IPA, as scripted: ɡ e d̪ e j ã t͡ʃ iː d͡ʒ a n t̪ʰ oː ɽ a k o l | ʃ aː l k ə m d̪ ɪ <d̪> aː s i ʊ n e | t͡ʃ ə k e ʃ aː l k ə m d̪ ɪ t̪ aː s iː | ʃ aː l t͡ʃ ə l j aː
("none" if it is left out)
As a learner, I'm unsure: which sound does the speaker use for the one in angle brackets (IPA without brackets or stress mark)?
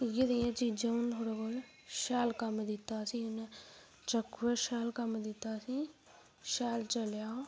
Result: t̪